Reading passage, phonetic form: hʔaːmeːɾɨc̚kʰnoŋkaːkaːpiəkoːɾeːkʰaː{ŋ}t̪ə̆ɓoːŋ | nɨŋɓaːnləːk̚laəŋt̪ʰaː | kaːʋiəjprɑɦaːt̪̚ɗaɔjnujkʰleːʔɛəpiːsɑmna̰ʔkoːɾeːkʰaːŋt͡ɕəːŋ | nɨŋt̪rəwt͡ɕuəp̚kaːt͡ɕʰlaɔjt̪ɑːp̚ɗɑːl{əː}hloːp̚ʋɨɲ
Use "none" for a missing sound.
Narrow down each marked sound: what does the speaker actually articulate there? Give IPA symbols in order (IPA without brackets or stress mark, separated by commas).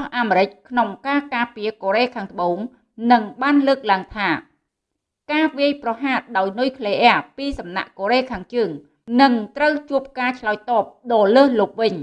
ŋ, əː